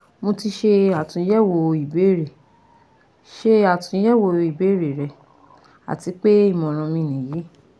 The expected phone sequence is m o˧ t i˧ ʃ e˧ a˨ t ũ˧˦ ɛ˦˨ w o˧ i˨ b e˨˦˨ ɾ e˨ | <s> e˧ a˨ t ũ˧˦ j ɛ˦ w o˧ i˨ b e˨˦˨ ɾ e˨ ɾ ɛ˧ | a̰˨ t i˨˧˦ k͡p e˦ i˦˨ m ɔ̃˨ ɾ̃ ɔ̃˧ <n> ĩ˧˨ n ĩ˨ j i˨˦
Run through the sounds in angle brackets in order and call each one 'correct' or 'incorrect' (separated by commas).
incorrect, incorrect